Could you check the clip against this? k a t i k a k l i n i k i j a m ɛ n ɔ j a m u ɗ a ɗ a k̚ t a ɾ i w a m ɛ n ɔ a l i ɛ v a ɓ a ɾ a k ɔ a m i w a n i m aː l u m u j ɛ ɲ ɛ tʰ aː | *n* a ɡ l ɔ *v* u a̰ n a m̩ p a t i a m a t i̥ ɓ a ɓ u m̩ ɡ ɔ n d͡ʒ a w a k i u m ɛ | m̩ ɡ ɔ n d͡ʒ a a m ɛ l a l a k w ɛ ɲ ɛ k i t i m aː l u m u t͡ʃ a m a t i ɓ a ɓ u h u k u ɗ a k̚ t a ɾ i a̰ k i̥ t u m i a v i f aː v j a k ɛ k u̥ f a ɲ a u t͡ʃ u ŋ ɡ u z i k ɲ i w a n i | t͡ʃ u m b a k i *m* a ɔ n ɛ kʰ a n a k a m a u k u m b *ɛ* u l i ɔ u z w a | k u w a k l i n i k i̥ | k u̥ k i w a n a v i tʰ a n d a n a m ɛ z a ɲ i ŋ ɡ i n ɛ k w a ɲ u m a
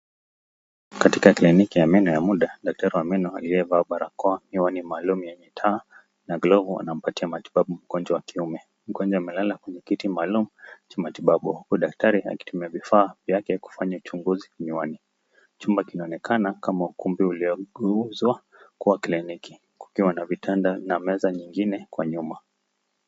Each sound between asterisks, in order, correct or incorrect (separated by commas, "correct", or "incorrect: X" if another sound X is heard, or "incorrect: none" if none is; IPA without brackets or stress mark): correct, correct, incorrect: n, incorrect: i